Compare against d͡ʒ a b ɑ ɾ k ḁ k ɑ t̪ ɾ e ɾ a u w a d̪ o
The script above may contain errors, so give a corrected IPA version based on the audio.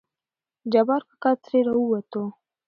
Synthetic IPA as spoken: d͡ʒ a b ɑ ɾ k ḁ k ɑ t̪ ɾ e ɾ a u w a t̪ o